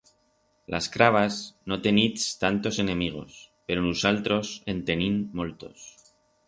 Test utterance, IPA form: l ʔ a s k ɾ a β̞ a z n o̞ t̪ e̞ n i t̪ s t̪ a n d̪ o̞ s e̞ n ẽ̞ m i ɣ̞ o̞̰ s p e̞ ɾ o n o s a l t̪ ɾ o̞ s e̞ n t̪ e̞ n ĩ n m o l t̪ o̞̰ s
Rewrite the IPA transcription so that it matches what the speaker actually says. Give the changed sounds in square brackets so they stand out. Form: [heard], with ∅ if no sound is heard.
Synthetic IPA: l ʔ a s k ɾ a β̞ a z n o̞ t̪ e̞ n i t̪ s t̪ a n [t̪] o̞ s e̞ n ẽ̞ m i ɣ̞ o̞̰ s p e̞ ɾ o n [u] s a l t̪ ɾ o̞ s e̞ n t̪ e̞ n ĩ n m o l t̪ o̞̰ s